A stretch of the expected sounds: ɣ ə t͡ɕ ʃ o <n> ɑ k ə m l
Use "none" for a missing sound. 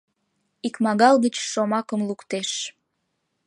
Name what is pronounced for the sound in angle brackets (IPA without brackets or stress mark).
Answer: m